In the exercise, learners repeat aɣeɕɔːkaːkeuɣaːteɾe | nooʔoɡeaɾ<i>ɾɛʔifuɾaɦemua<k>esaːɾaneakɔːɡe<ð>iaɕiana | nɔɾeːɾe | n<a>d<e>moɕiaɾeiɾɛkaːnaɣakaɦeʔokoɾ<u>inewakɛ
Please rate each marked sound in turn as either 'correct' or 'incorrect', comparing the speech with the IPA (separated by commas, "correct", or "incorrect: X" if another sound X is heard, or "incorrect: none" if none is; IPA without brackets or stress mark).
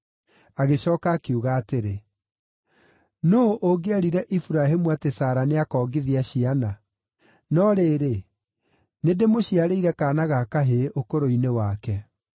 correct, incorrect: t, correct, incorrect: e, correct, incorrect: o